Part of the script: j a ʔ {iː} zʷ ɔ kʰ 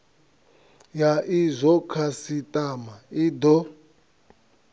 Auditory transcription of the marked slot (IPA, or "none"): i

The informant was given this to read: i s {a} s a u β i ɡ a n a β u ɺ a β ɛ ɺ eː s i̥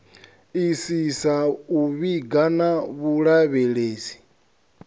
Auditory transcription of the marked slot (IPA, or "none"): i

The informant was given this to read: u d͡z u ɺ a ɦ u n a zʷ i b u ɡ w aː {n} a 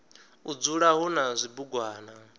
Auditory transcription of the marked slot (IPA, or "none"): n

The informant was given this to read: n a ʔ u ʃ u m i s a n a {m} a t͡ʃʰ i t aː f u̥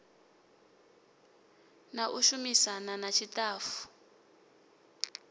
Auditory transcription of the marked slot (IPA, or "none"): n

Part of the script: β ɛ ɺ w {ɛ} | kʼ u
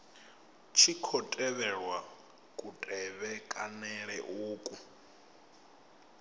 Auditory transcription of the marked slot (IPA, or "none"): a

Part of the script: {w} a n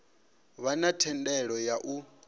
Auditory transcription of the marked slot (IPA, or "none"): β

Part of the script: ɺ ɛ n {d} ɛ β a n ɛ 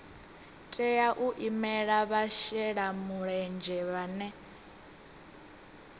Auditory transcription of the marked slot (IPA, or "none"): d͡ʒ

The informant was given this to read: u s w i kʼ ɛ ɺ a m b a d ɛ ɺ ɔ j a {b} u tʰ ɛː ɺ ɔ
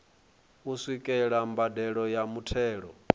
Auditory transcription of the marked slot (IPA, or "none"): m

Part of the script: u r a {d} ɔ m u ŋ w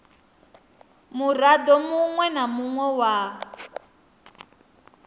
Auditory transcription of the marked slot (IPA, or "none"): d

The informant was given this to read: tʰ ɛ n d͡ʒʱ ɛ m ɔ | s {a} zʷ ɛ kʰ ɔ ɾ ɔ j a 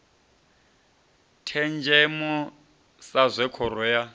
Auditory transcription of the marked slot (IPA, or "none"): a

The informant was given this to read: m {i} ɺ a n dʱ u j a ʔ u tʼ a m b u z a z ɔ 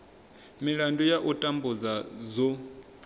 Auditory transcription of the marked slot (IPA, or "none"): i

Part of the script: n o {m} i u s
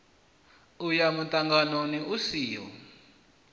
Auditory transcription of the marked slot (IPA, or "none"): n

